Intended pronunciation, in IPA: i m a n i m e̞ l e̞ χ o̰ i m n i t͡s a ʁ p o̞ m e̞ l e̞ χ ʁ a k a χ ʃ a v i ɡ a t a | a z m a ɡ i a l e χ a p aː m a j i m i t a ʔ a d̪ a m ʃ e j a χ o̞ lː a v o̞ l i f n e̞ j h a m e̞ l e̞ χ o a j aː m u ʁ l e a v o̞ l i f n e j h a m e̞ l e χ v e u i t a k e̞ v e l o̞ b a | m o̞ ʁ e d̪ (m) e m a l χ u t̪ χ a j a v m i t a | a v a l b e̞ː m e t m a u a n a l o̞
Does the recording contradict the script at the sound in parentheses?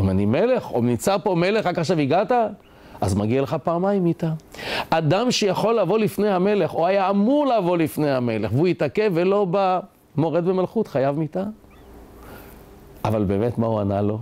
yes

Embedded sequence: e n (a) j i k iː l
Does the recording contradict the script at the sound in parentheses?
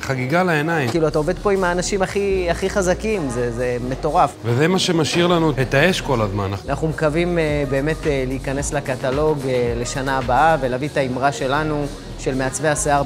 no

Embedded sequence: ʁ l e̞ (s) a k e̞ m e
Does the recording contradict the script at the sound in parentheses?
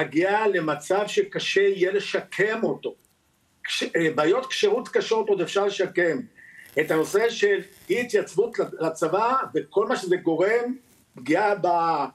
yes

